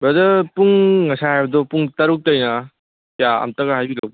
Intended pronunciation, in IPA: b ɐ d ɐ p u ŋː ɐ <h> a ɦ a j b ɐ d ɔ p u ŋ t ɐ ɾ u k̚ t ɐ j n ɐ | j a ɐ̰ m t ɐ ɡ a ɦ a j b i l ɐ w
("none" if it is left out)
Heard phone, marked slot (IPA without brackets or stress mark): s